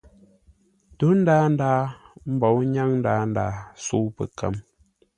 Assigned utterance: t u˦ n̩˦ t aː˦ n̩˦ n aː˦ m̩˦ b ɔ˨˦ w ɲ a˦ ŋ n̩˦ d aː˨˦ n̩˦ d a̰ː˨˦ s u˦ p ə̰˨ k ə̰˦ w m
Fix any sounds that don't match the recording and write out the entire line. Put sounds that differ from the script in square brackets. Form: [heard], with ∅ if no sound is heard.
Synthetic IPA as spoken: t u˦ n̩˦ [d] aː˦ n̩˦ [d] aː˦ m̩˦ b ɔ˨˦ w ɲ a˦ ŋ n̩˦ d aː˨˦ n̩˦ d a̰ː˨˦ s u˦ p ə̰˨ k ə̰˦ [∅] m